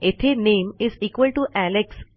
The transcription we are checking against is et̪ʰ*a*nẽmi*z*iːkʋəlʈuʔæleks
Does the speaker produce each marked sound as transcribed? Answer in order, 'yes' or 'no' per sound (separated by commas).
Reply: no, yes